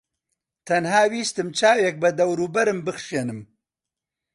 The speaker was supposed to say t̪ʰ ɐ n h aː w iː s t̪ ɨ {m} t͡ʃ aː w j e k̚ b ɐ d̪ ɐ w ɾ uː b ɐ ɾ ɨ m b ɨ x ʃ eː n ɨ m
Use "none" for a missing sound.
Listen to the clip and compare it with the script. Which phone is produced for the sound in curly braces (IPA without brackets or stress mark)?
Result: m